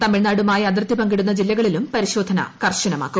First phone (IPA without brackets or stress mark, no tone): t̪